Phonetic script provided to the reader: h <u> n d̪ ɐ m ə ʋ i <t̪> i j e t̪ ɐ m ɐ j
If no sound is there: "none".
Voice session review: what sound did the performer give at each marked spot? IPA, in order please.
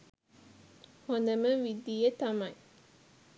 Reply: o, d̪

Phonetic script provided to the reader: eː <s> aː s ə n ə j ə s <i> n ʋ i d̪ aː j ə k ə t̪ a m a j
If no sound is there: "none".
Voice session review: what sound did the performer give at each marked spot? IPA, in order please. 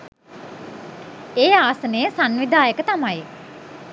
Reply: none, a

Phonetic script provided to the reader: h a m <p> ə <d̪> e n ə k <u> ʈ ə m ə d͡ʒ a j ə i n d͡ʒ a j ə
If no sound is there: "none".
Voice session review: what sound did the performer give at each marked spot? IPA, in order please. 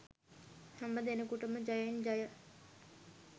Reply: b, d̪, u

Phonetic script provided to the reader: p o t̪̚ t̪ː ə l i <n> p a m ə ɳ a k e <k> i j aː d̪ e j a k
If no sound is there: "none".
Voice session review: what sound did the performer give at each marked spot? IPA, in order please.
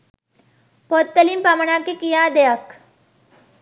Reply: m, k

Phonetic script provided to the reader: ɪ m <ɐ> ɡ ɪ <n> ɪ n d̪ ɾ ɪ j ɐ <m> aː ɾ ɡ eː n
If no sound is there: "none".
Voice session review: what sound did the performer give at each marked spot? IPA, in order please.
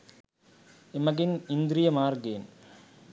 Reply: ɐ, n, m

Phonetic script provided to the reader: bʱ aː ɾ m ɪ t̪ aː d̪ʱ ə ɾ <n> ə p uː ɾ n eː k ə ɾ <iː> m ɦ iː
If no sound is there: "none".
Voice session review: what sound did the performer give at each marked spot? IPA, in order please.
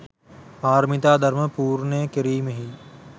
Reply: m, iː

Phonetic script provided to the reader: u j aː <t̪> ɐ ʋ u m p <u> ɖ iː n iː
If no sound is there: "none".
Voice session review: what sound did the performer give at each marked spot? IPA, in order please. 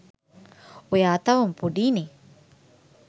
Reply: t̪, u

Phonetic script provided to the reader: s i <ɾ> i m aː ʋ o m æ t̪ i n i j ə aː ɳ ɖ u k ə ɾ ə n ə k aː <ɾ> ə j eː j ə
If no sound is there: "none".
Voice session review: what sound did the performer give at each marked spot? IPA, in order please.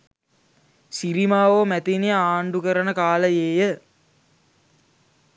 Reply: ɾ, l

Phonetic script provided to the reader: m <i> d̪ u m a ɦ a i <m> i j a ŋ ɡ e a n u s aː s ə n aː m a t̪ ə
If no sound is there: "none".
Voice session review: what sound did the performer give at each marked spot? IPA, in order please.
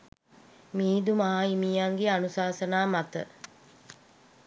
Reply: iː, m

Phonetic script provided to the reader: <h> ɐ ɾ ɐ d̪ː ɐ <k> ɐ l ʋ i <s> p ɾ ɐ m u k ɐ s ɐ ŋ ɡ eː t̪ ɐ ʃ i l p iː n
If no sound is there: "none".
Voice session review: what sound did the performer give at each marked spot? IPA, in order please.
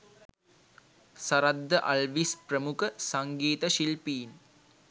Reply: s, ʔ, s

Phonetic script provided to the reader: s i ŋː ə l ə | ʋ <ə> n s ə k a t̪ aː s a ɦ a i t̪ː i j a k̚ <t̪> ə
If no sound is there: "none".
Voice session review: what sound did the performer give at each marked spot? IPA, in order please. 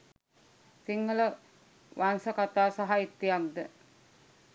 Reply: a, d̪

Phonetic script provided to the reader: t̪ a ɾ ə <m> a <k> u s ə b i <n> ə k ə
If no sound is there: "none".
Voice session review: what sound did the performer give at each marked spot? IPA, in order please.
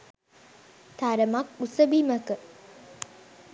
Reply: m, k, m

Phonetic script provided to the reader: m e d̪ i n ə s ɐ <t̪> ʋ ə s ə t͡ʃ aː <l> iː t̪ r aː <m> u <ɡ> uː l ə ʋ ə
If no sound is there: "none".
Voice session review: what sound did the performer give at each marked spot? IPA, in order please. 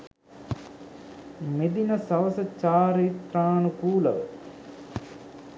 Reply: none, ɾ, n, k

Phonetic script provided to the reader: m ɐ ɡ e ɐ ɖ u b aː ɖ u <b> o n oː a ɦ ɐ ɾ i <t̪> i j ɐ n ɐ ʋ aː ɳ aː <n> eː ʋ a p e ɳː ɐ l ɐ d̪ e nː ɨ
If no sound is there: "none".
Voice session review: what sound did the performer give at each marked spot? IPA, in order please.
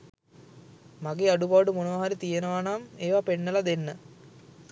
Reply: m, t̪, m

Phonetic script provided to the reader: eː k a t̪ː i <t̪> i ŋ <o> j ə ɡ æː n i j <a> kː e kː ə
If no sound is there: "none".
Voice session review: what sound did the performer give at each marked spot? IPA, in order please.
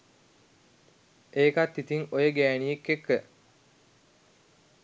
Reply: t̪, o, e

